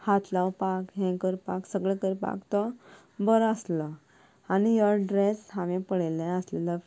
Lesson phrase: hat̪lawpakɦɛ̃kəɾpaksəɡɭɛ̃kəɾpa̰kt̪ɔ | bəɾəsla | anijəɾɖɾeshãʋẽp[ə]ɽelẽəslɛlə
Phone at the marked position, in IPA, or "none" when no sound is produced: ə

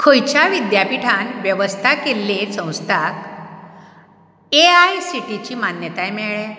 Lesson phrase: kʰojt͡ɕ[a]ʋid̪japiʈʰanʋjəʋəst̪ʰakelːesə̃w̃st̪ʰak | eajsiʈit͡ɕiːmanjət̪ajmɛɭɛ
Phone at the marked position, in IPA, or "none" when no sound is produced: a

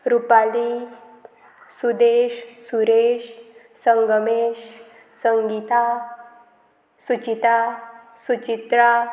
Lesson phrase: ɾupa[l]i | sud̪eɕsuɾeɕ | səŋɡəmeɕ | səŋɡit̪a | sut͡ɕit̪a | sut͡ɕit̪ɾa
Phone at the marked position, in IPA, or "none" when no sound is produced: l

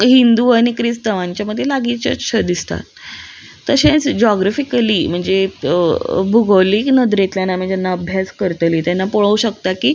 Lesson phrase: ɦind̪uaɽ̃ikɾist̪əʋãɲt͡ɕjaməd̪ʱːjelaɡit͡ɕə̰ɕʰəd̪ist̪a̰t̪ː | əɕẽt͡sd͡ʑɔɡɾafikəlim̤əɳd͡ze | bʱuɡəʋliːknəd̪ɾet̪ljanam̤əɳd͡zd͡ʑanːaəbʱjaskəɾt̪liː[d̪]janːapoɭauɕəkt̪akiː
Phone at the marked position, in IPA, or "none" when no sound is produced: t̪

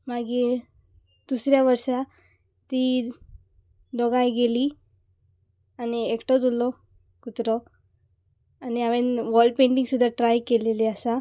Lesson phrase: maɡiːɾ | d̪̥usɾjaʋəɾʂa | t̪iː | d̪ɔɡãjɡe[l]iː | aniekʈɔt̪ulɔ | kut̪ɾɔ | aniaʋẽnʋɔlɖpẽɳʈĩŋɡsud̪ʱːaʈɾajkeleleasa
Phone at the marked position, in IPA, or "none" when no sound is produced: l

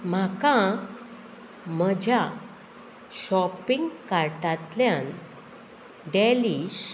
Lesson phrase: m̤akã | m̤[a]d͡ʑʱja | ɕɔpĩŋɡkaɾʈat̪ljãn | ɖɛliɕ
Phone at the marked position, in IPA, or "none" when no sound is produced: ə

